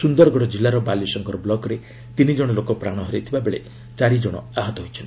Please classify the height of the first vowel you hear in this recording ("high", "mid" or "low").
high